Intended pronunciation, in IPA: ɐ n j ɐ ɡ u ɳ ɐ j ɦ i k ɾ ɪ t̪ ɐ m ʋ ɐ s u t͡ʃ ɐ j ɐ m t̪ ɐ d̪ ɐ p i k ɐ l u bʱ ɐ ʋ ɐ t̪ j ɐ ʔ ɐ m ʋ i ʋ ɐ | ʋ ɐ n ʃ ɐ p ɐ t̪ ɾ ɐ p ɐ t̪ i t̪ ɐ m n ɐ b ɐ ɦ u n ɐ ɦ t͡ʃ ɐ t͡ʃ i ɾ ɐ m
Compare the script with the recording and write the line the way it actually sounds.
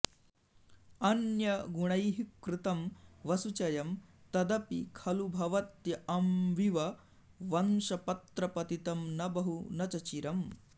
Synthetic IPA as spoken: ɐ n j ɐ ɡ u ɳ ɐ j ɦ i k ɾ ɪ t̪ ɐ m ʋ ɐ s u t͡ʃ ɐ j ɐ m t̪ ɐ d̪ ɐ p i kʰ ɐ l u bʱ ɐ ʋ ɐ t̪ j ɐ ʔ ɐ m ʋ i ʋ ɐ | ʋ ɐ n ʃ ɐ p ɐ t̪ ɾ ɐ p ɐ t̪ i t̪ ɐ m n ɐ b ɐ ɦ u n ɐ t͡ʃ ɐ t͡ʃ i ɾ ɐ m